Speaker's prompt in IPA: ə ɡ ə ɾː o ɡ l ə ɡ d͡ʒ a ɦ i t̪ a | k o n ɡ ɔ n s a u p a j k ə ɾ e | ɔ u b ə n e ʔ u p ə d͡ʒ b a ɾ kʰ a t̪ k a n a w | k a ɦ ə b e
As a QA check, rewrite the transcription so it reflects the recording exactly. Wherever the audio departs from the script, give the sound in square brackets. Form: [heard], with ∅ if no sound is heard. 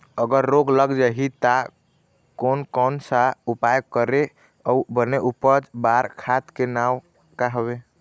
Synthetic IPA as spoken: ə ɡ ə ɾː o ɡ l ə ɡ d͡ʒ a ɦ i t̪ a | k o n [k] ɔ n s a u p a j k ə ɾ e | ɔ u b ə n e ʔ u p ə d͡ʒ b a ɾ kʰ a t̪ k [e] n a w | k a ɦ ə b e